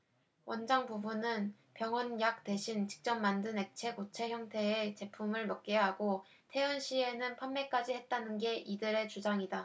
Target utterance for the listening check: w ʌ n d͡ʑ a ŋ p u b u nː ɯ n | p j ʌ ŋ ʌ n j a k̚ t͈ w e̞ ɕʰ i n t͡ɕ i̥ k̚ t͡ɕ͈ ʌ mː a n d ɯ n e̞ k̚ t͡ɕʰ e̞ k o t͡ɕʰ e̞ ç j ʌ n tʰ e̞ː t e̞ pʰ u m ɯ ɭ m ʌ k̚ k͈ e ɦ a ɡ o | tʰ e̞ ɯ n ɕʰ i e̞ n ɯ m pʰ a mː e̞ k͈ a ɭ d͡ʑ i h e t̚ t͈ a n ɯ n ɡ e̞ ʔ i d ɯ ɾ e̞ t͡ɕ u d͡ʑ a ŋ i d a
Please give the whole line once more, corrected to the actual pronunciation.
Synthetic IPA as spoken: w ʌ n d͡ʑ a ŋ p u b u n ɯ n | p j ʌ ŋ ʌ n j a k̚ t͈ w e̞ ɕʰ i n t͡ɕ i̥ k̚ t͡ɕ͈ ʌ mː a n d ɯ n e̞ k̚ t͡ɕʰ e̞ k o t͡ɕʰ e̞ ç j ʌ ŋ tʰ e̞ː t͡ɕ e̞ pʰ u m ɯ ɭ m ʌ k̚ k͈ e ɦ a ɡ o | tʰ e̞ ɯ n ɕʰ i e̞ n ɯ n pʰ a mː e̞ k͈ a d͡ʑ i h e t̚ t͈ a n ɯ n ɡ e̞ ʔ i d ɯ ɾ e̞ t͡ɕ u d͡ʑ a ŋ i d a